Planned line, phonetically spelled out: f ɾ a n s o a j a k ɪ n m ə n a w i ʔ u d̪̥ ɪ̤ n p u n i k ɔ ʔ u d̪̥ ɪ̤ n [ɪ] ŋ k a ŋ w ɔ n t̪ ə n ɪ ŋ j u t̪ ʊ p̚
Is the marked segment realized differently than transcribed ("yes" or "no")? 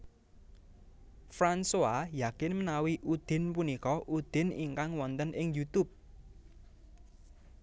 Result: yes